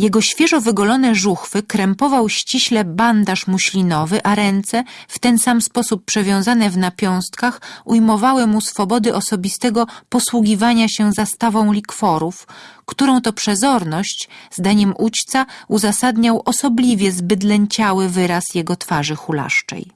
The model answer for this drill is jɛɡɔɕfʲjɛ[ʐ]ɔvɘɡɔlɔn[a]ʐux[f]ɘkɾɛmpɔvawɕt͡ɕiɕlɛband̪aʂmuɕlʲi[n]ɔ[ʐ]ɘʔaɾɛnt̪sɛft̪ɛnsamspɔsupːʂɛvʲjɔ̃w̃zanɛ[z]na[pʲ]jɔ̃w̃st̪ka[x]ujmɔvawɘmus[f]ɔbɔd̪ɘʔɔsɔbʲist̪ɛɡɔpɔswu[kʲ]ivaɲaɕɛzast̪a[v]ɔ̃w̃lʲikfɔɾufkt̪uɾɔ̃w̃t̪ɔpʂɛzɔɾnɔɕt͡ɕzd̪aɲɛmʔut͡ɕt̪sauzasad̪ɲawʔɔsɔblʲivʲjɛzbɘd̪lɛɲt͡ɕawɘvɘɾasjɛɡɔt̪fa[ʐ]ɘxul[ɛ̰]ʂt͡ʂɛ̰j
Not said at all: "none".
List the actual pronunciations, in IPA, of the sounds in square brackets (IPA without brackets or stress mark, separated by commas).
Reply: ʐ, ɛ, f, n, v, v, pʲ, x, f, ɡʲ, v, ʐ, a̰